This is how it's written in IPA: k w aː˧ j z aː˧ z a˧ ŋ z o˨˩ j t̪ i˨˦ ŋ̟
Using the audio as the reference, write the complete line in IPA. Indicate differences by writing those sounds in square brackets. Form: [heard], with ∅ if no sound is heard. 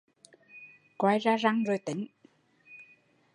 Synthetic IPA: k w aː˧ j z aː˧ z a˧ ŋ z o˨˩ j t̪ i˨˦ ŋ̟